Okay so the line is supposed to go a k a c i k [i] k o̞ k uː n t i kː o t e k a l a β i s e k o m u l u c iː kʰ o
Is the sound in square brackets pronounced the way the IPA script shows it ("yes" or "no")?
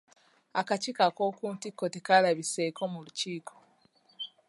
no